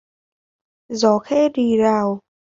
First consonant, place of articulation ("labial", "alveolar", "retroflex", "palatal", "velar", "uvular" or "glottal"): alveolar